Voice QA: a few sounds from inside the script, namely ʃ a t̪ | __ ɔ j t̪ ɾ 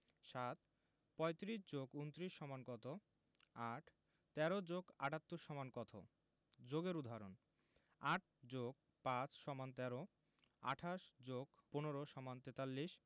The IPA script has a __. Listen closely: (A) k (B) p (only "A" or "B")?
B